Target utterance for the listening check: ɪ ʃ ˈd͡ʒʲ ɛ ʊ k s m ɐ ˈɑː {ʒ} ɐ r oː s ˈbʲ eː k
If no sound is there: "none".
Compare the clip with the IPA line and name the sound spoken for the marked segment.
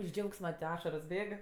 ʃ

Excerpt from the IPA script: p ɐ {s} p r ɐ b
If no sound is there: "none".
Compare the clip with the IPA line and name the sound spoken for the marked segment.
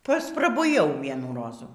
s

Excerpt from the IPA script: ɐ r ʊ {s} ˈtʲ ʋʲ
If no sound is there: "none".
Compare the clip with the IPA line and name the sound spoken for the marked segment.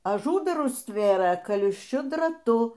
s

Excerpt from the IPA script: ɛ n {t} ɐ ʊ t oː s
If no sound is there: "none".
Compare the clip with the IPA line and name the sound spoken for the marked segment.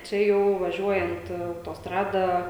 t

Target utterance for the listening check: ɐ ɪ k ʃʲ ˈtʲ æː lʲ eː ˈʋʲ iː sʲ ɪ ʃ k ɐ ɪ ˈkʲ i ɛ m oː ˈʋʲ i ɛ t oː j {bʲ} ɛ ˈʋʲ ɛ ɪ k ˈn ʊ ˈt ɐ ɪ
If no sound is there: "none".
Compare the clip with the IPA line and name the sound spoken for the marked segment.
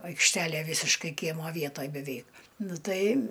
bʲ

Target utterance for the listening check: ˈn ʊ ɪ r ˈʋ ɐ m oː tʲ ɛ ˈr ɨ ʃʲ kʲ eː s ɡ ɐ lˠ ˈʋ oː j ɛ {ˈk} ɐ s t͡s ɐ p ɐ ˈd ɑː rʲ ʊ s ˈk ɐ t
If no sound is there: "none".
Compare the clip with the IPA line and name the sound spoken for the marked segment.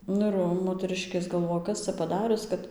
k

